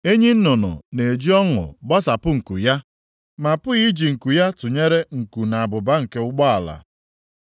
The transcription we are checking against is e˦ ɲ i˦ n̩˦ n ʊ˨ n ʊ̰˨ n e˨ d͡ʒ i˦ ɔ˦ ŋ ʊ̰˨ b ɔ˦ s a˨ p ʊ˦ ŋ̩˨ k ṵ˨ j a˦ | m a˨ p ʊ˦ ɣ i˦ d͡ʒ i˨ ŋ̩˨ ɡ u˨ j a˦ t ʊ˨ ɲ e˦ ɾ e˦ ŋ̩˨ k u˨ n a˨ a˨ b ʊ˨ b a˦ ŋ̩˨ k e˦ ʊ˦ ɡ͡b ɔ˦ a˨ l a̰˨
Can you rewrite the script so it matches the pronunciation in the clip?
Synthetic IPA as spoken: e˦ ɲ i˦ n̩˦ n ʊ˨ n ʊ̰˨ n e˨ d͡ʒ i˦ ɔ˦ ŋ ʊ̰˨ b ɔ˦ s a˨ p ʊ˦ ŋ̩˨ k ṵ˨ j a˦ | m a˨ p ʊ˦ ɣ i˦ d͡ʒ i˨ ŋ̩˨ k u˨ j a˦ t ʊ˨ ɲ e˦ ɾ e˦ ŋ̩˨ k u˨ n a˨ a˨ b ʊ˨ b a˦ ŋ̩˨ k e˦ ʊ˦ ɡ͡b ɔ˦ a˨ l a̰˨